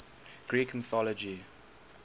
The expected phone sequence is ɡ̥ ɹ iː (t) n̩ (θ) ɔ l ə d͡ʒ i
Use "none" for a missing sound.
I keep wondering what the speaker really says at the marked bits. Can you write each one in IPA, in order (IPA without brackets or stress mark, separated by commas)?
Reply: k, θ